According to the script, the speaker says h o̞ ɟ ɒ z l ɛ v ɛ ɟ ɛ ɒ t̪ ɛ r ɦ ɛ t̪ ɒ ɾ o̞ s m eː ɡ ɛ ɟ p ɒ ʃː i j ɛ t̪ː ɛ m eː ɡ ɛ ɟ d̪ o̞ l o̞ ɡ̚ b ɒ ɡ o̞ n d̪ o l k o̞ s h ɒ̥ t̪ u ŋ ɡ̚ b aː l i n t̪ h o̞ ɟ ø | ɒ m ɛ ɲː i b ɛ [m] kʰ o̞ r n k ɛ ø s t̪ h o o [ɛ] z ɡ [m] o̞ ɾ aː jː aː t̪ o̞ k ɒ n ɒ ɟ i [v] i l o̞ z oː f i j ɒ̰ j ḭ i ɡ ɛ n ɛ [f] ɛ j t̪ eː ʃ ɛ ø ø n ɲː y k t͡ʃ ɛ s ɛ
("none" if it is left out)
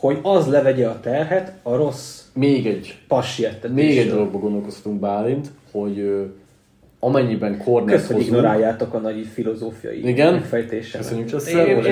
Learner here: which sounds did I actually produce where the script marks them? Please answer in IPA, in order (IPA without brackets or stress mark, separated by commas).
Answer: ŋ, i, n, f, f